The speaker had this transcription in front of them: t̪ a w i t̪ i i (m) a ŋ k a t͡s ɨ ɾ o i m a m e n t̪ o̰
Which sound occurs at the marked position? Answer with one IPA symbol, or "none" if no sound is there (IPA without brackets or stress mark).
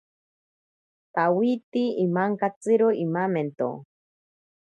m